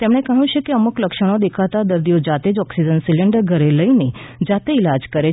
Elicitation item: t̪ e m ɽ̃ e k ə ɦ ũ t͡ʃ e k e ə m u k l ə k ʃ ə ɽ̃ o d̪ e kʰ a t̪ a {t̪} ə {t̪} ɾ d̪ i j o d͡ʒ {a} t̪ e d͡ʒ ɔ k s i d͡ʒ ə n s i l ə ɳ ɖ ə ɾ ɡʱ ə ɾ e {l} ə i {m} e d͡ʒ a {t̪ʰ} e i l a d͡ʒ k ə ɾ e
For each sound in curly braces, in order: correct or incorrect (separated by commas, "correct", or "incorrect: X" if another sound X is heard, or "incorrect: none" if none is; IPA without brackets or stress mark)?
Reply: incorrect: d̪, incorrect: none, correct, correct, incorrect: n, incorrect: t̪